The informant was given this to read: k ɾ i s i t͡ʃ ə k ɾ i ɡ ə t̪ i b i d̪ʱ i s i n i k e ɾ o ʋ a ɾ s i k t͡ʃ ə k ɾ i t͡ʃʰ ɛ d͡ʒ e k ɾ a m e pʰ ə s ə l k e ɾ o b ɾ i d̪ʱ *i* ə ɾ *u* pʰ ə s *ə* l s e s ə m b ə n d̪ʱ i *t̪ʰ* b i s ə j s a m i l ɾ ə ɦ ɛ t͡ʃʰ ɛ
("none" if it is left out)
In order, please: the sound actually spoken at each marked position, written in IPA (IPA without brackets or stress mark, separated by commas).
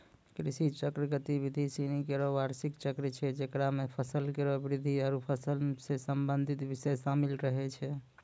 i, u, ə, t̪